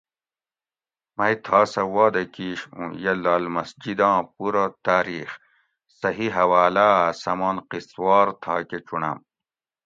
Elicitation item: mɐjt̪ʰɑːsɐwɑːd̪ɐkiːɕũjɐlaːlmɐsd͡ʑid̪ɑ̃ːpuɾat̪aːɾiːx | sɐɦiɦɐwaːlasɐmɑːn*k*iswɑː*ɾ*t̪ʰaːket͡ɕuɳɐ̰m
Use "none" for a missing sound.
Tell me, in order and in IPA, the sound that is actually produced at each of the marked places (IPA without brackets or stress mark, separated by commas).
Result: q, ɾ